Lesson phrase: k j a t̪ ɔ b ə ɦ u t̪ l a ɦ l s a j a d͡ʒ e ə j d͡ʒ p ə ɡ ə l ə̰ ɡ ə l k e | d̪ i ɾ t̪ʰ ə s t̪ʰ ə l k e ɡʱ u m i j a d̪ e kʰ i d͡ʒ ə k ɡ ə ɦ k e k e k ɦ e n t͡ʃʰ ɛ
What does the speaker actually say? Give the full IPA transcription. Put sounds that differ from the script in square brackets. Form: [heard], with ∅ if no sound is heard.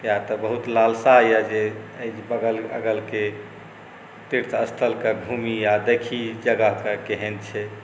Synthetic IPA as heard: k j a t̪ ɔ b ə ɦ u t̪ l a [∅] l s a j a d͡ʒ e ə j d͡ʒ [b] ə ɡ ə l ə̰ ɡ ə l k e | [t̪] i ɾ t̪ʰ ə s t̪ʰ ə l k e ɡʱ u m i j a d̪ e kʰ i d͡ʒ ə [∅] ɡ ə ɦ k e k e [∅] ɦ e n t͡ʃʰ ɛ